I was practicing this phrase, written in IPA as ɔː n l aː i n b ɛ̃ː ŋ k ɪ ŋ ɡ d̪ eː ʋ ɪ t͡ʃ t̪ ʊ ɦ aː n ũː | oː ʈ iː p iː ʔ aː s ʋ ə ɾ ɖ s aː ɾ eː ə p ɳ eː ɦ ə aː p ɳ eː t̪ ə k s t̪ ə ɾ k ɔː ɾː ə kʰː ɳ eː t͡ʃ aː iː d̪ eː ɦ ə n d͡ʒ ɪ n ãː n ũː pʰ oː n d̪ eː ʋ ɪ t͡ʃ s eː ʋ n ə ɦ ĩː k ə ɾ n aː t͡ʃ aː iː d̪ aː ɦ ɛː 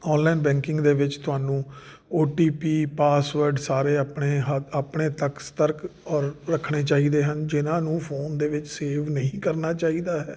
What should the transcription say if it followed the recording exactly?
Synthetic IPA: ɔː n l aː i n b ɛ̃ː ŋ k ɪ ŋ ɡ d̪ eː ʋ ɪ t͡ʃ t̪ ʊ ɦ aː n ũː | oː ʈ iː p iː p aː s ʋ ə ɾ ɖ s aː ɾ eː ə p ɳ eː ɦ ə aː p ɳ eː t̪ ə k s t̪ ə ɾ k ɔː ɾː ə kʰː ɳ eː t͡ʃ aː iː d̪ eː ɦ ə n d͡ʒ ɪ n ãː n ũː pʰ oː n d̪ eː ʋ ɪ t͡ʃ s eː ʋ n ə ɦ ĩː k ə ɾ n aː t͡ʃ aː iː d̪ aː ɦ ɛː

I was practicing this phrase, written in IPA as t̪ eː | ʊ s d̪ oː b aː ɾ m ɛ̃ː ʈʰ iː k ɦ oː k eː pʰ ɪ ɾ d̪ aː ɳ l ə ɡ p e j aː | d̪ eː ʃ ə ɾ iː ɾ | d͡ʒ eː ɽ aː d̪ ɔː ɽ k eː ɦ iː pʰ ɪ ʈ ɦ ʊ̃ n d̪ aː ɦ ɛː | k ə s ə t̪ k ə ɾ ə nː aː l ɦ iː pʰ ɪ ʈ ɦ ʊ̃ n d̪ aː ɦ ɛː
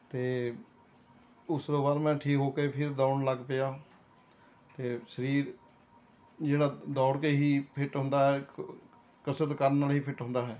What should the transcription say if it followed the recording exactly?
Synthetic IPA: t̪ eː | ʊ s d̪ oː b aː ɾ m ɛ̃ː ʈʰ iː k ɦ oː k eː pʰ ɪ ɾ d̪ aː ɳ l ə ɡ p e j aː | t̪ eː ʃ ə ɾ iː ɾ | d͡ʒ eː ɽ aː d̪ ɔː ɽ k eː ɦ iː pʰ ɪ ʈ ɦ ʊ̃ n d̪ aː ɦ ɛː | k ə s ə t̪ k ə ɾ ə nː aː l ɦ iː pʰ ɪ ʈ ɦ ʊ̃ n d̪ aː ɦ ɛː

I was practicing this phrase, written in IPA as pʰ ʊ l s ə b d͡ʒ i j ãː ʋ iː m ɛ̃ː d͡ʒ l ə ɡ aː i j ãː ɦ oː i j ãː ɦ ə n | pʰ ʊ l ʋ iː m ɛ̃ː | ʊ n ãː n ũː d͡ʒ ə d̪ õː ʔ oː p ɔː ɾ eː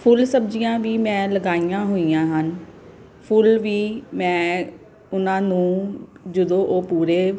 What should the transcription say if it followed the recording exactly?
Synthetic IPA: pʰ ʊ l s ə b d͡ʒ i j ãː ʋ iː m ɛ̃ː l ə ɡ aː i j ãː ɦ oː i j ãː ɦ ə n | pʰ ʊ l ʋ iː m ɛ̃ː | ʊ n ãː n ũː d͡ʒ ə d̪ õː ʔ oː p uː ɾ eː

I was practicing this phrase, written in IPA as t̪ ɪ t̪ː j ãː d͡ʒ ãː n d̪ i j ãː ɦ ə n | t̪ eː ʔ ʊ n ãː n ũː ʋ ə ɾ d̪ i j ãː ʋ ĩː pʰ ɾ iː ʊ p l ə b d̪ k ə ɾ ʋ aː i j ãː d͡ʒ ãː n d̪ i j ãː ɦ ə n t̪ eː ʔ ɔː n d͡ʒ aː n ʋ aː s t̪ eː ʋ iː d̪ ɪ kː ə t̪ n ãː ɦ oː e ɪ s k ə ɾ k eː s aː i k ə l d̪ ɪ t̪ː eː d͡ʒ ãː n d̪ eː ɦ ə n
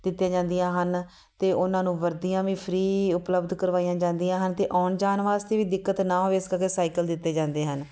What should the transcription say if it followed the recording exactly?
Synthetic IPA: d̪ ɪ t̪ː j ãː d͡ʒ ãː n d̪ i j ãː ɦ ə n | t̪ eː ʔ ʊ n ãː n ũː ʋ ə ɾ d̪ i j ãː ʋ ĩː pʰ ɾ iː ʊ p l ə b d̪ k ə ɾ ʋ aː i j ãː d͡ʒ ãː n d̪ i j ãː ɦ ə n t̪ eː ʔ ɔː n d͡ʒ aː n ʋ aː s t̪ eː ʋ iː d̪ ɪ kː ə t̪ n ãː ɦ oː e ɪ s k ə ɾ k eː s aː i k ə l d̪ ɪ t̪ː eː d͡ʒ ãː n d̪ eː ɦ ə n

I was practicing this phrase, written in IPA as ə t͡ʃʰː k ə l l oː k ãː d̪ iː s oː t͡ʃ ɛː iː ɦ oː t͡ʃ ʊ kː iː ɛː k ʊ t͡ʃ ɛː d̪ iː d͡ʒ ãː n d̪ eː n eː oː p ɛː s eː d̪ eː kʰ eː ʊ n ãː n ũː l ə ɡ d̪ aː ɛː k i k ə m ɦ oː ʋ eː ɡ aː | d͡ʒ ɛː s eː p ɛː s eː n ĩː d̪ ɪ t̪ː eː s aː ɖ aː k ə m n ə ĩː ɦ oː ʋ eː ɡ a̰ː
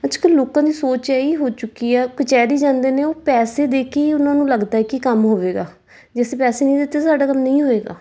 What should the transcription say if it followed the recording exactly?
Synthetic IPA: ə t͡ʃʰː k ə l l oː k ãː d̪ iː s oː t͡ʃ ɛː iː ɦ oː t͡ʃ ʊ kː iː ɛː k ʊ t͡ʃ ɛː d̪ iː d͡ʒ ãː n d̪ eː n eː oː p ɛː s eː d̪ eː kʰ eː ʊ n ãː n ũː l ə ɡ d̪ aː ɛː k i k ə m ɦ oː ʋ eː ɡ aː | d͡ʒ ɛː s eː p ɛː s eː n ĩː d̪ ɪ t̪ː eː s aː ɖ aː k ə m n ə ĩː ɦ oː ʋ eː ɡ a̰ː

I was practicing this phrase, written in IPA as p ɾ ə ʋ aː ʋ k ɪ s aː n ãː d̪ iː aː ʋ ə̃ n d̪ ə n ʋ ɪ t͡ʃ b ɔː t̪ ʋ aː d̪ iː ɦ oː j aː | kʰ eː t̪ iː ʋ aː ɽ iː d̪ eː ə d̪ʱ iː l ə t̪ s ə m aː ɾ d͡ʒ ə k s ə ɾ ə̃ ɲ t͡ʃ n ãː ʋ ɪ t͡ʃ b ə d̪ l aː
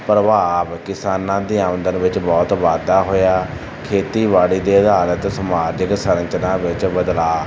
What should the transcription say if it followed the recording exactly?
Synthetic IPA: p ɾ ə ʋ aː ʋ k ɪ s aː n ãː d̪ iː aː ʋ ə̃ n d̪ ə n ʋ ɪ t͡ʃ b ɔː t̪ ʋ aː d̪ aː ɦ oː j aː | kʰ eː t̪ iː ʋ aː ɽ iː d̪ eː ə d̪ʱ aː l ə t̪ s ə m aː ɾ d͡ʒ ə k s ə ɾ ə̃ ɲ t͡ʃ n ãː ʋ ɪ t͡ʃ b ə d̪ l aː

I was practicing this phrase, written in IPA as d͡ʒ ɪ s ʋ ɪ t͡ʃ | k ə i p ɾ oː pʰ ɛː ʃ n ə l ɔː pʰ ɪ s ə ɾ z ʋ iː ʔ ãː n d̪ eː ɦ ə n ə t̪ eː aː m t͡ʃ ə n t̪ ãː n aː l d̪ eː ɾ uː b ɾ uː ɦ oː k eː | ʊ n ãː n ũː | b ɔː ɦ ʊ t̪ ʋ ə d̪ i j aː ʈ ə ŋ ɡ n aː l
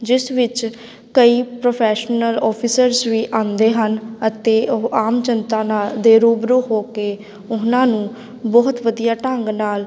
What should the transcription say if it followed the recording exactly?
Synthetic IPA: d͡ʒ ɪ s ʋ ɪ t͡ʃ | k ə iː p ɾ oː pʰ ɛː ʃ n ə l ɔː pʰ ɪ s ə ɾ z ʋ iː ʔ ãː n d̪ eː ɦ ə n ə t̪ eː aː m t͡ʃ ə n t̪ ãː n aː l d̪ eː ɾ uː b ɾ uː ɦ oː k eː | ʊ n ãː n ũː | b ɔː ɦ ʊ t̪ ʋ ə d̪ i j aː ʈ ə ŋ ɡ n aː l

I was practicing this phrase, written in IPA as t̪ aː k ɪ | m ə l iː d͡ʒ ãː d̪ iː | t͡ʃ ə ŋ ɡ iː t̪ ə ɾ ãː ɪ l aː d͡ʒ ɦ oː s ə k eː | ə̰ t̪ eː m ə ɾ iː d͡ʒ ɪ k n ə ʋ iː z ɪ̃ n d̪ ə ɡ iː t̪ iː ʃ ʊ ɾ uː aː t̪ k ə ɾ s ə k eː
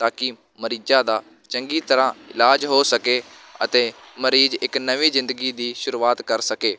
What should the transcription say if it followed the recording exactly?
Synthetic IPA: t̪ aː k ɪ | m ə ɾ iː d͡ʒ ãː d̪ aː | t͡ʃ ə ŋ ɡ iː t̪ ə ɾ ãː ɪ l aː d͡ʒ ɦ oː s ə k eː | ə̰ t̪ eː m ə ɾ iː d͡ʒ ɪ k n ə ʋ iː z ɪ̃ n d̪ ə ɡ iː d̪ iː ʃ ʊ ɾ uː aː t̪ k ə ɾ s ə k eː

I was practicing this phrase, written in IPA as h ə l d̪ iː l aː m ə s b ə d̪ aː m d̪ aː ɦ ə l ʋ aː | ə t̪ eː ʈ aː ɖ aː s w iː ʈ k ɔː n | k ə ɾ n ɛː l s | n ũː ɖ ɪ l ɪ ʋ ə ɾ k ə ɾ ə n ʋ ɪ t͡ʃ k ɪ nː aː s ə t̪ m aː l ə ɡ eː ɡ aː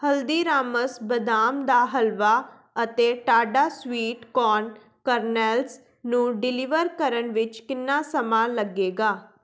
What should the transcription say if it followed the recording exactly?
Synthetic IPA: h ə l d̪ iː ɾ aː m ə s b ə d̪ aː m d̪ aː ɦ ə l ʋ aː | ə t̪ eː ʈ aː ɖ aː s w iː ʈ k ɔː n | k ə ɾ n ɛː l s | n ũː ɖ ɪ l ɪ ʋ ə ɾ k ə ɾ ə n ʋ ɪ t͡ʃ k ɪ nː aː s ə m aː l ə ɡ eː ɡ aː

